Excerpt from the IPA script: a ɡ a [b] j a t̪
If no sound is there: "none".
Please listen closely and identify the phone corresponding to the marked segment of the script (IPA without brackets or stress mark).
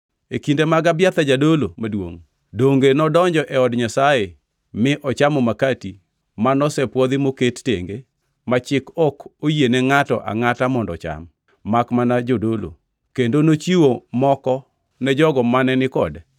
b